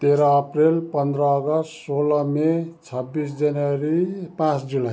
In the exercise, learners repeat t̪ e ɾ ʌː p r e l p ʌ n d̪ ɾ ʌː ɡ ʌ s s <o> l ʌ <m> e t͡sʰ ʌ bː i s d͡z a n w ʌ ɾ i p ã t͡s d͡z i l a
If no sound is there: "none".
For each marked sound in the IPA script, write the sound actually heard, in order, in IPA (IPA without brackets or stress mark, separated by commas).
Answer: o, m